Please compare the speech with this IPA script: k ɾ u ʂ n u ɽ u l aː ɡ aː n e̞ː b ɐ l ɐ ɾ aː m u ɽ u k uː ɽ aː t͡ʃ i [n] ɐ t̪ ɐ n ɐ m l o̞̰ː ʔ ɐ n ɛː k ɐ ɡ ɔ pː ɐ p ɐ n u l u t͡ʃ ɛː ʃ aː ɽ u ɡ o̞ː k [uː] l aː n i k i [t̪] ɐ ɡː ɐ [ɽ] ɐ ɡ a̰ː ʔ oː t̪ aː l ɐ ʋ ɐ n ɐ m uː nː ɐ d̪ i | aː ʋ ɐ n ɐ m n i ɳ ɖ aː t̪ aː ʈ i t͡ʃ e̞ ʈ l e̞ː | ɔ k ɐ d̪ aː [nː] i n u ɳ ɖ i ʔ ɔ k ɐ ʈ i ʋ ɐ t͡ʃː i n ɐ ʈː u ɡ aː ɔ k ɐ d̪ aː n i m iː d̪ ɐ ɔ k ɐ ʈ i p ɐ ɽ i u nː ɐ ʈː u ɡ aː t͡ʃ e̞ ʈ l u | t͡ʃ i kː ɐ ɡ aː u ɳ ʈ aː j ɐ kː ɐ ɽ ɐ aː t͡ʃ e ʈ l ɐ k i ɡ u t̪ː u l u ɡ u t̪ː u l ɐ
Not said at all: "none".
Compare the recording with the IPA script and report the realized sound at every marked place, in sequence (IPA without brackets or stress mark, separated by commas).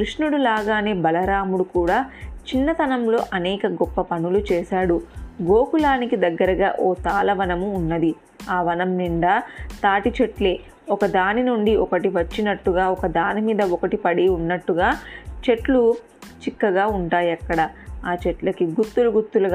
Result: nː, u, d̪, ɾ, n